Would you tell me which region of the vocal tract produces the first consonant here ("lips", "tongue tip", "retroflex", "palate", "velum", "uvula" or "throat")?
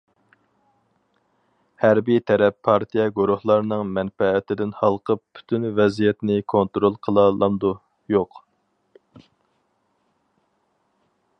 throat